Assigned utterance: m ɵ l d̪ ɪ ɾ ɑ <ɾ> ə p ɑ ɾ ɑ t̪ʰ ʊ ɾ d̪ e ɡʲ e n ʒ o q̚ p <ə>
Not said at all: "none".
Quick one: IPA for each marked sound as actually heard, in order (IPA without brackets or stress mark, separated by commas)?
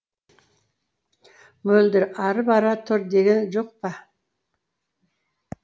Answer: ɾ, ɑ